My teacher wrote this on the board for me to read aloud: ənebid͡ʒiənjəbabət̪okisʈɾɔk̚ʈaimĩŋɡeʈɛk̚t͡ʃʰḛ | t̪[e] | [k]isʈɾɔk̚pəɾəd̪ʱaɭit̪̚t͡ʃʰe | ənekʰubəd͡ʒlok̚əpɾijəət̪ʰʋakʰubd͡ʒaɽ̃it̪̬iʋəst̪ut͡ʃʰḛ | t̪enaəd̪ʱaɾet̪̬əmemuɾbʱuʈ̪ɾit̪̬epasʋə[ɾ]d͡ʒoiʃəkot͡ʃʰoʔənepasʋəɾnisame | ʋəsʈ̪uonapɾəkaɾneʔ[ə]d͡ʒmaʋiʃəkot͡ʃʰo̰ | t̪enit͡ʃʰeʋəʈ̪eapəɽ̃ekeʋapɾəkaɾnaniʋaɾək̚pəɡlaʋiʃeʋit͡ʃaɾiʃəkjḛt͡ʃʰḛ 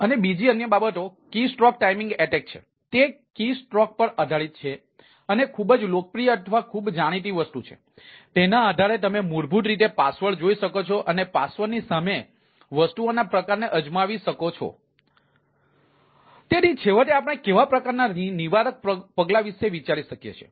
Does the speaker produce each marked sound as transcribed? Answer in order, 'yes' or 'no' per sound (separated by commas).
yes, yes, no, yes